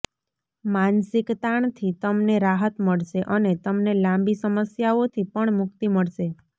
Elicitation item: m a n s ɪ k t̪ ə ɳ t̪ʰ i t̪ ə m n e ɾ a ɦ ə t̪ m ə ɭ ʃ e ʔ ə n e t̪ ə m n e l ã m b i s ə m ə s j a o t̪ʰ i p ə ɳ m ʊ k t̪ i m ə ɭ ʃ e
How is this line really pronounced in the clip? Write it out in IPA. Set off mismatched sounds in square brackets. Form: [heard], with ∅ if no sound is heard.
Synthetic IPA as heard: m a n s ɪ k t̪ [a] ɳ t̪ʰ i t̪ ə m n e ɾ a ɦ ə t̪ m ə ɭ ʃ e ʔ ə n e t̪ ə m n e l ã m b i s ə m ə s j a o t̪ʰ i p ə ɳ m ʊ k t̪ i m ə ɭ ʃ e

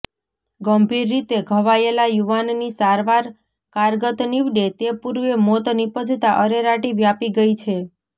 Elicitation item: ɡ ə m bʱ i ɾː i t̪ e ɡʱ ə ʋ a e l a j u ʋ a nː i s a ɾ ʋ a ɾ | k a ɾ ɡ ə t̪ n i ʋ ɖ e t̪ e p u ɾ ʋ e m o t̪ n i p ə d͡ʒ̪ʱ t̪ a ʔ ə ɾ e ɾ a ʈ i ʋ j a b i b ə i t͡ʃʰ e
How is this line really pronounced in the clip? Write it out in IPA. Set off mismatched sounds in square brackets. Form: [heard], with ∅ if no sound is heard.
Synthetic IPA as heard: ɡ ə m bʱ i ɾː i t̪ e ɡʱ ə ʋ a e l a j u ʋ a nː i s a ɾ ʋ a ɾ | k a ɾ ɡ ə t̪ n i ʋ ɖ e t̪ e p u ɾ ʋ e m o t̪ n i p ə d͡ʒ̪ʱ t̪ a ʔ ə ɾ e ɾ a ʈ i ʋ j a [p] i [ɡ] ə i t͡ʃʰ e

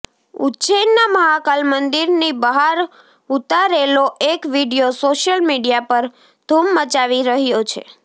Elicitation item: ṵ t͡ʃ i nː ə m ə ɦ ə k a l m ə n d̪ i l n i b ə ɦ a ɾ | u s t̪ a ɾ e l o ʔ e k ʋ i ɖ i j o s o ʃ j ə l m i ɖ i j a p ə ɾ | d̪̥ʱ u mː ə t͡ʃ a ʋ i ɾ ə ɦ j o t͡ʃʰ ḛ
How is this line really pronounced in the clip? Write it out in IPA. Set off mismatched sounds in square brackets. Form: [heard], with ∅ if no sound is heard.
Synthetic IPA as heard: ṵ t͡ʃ [e] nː [a] m ə ɦ [a] k a l m ə n d̪ i [ɾ] n i b ə ɦ a ɾ | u [∅] t̪ a ɾ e l o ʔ e k ʋ i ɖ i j o s o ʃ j ə l m i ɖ i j a p ə ɾ | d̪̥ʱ u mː ə t͡ʃ a ʋ i ɾ ə ɦ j o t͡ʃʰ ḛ

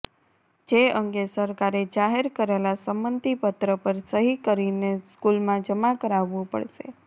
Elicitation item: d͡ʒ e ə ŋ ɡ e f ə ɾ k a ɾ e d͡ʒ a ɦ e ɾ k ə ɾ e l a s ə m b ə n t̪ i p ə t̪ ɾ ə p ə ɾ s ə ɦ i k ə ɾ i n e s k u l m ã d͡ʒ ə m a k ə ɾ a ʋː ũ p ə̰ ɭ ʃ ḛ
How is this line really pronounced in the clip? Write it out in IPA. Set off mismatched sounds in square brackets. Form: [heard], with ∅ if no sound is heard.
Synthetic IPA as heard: d͡ʒ e ə ŋ ɡ e [s] ə ɾ k a ɾ e d͡ʒ a ɦ e ɾ k ə ɾ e l a s ə m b ə n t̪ i p ə t̪ ɾ ə p ə ɾ s ə ɦ i k ə ɾ i n e s k u l m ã d͡ʒ ə m a k ə ɾ a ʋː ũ p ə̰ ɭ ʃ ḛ

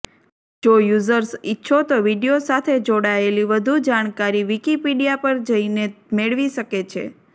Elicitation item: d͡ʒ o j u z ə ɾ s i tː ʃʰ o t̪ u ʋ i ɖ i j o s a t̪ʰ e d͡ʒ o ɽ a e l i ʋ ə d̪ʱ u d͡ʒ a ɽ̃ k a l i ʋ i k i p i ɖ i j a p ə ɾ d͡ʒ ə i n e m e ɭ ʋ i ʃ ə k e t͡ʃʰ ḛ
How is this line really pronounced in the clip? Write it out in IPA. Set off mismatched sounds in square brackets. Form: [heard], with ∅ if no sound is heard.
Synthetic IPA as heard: d͡ʒ o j u z ə ɾ s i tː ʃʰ o t̪ [o] ʋ i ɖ i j o s a t̪ʰ e d͡ʒ o ɽ a e l i ʋ ə d̪ʱ u d͡ʒ a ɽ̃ k a [ɾ] i ʋ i k i p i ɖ i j a p ə ɾ d͡ʒ ə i n e m e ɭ ʋ i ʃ ə k e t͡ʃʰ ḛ

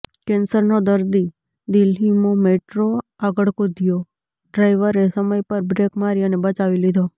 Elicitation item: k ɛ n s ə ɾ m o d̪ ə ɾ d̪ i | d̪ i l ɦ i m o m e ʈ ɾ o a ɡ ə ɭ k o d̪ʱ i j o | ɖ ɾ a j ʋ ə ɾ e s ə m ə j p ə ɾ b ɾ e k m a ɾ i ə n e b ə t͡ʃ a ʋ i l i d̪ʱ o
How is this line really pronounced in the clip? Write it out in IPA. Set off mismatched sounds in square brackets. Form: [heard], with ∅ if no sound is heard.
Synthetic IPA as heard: k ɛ n s ə ɾ [n] o d̪ ə ɾ d̪ i | d̪ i l ɦ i m o m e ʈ ɾ o a ɡ ə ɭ k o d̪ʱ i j o | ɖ ɾ a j ʋ ə ɾ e s ə m ə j p ə ɾ b ɾ e k m a ɾ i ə n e b ə t͡ʃ a ʋ i l i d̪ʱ o

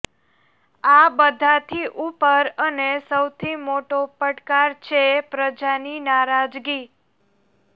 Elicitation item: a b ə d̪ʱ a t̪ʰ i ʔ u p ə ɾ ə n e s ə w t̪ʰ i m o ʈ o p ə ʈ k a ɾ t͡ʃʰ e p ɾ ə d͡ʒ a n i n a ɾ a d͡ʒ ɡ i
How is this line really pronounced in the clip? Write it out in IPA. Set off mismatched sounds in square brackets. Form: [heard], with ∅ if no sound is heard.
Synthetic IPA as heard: a b ə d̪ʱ a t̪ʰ i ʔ u p ə ɾ ə n e s ə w t̪ʰ i m o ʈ o p ə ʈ k a ɾ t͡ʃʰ e p ɾ ə d͡ʒ a n i n a ɾ a d͡ʒ ɡ i

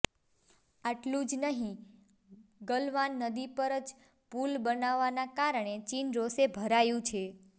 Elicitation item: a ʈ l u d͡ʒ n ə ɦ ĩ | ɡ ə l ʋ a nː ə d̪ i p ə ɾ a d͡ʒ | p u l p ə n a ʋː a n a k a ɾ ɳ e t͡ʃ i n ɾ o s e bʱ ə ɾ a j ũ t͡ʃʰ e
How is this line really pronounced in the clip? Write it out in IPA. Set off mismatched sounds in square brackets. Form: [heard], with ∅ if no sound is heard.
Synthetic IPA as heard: a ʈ l [ũ] d͡ʒ n ə ɦ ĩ | ɡ ə l ʋ a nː ə d̪ i p ə ɾ [ə] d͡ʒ | p u l [b] ə n a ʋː a n a k a ɾ ɳ e t͡ʃ i n ɾ o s e bʱ ə ɾ a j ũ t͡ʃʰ e

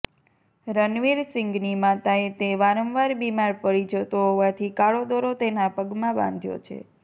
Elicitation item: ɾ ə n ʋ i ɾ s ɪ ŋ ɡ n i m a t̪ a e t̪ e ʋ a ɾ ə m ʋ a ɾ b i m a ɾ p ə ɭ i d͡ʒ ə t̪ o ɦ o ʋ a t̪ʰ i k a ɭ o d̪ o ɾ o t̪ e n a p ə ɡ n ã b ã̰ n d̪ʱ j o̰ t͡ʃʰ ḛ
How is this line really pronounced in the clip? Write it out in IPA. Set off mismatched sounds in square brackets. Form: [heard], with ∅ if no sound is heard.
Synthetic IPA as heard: ɾ ə n ʋ i ɾ s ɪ ŋ ɡ n i m a t̪ a e t̪ e ʋ a ɾ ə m ʋ a ɾ b i m a ɾ p ə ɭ i d͡ʒ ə t̪ o ɦ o ʋ a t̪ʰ i k a ɭ o d̪ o ɾ o t̪ e n a p ə ɡ [m] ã b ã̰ n d̪ʱ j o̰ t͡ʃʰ ḛ

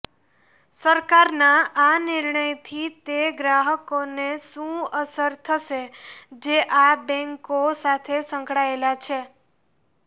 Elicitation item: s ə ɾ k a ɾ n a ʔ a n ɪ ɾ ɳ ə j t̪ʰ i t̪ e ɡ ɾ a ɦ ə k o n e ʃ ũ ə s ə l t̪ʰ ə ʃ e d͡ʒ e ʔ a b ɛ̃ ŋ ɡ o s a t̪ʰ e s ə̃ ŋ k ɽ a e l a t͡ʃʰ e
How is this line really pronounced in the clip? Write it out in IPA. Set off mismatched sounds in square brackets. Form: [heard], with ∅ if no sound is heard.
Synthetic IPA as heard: s ə ɾ k a ɾ n a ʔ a n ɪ ɾ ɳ ə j t̪ʰ i t̪ e ɡ ɾ a ɦ ə k o n e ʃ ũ ə s ə [ɾ] t̪ʰ ə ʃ e d͡ʒ e ʔ a b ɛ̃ ŋ [k] o s a t̪ʰ e s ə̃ ŋ k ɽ a e l a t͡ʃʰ e

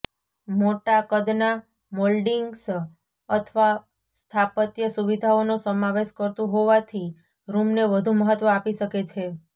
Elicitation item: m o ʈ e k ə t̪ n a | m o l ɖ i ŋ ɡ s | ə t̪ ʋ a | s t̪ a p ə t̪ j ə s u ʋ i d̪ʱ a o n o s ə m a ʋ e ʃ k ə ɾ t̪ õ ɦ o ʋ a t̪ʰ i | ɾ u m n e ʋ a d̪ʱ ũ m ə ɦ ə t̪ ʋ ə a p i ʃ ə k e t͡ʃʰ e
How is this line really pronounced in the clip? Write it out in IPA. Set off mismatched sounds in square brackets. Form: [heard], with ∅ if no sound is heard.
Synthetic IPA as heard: m o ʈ [a] k ə [d̪] n a | m o l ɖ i ŋ ɡ s | ə [t̪ʰ] ʋ a | s [t̪ʰ] a p ə t̪ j ə s u ʋ i d̪ʱ a o n o s ə m a ʋ e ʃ k ə ɾ t̪ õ ɦ o ʋ a t̪ʰ i | ɾ u m n e ʋ [ə] d̪ʱ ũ m ə ɦ ə t̪ ʋ ə a p i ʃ ə k e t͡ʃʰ e

